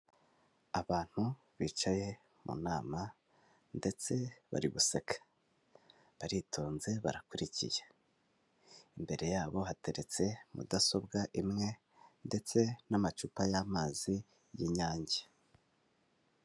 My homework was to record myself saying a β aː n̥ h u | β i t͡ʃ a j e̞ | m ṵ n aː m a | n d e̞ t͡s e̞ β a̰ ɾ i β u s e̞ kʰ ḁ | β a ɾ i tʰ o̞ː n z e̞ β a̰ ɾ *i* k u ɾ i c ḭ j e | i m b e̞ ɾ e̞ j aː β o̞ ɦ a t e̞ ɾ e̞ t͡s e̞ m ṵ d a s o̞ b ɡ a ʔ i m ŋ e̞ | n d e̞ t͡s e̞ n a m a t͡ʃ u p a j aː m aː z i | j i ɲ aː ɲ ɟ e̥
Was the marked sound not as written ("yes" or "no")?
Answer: yes